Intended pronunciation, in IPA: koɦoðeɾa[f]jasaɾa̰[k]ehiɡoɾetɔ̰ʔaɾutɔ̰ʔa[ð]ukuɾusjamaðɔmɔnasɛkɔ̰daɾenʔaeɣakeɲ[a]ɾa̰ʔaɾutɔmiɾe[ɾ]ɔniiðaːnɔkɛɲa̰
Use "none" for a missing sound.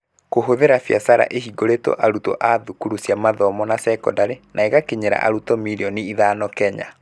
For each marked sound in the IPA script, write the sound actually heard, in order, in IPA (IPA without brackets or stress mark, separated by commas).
f, ʔ, ð, e, none